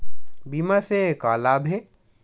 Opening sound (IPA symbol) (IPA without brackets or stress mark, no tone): b